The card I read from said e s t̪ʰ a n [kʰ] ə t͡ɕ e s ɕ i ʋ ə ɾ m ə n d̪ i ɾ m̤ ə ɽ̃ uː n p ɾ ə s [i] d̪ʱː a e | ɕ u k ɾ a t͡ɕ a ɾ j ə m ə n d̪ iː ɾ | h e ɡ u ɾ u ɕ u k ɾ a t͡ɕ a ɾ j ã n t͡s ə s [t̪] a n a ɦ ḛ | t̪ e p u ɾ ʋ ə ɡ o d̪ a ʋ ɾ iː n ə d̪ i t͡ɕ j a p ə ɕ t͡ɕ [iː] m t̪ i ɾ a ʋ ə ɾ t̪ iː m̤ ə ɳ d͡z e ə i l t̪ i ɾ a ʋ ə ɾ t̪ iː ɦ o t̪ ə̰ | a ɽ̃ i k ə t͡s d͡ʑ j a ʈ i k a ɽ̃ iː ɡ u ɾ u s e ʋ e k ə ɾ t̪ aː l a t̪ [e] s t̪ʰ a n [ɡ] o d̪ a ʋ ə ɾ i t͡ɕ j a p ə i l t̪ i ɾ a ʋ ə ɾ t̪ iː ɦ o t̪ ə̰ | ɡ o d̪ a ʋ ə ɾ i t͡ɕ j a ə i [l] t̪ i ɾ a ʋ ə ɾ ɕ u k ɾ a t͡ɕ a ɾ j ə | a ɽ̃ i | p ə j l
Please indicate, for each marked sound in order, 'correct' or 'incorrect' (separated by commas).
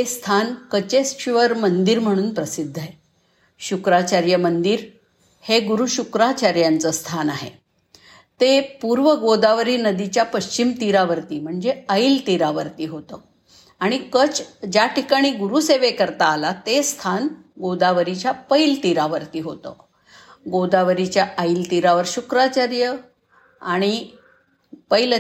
incorrect, correct, incorrect, incorrect, correct, correct, correct